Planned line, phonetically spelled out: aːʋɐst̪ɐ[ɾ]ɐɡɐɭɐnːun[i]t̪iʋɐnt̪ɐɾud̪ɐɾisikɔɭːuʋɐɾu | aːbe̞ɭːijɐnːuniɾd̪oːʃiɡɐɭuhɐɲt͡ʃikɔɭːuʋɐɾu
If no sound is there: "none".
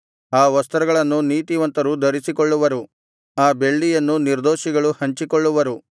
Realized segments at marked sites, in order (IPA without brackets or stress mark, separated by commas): ɾ, iː